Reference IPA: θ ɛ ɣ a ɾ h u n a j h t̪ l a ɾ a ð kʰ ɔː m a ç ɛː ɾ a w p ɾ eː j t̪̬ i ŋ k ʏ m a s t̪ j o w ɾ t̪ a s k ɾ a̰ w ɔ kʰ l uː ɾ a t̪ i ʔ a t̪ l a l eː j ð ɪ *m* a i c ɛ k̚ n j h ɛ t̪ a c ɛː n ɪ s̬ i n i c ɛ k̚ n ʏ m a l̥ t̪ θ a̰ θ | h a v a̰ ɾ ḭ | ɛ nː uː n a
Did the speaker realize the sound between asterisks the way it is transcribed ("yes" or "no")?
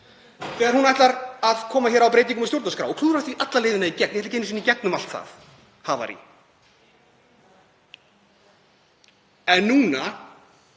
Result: no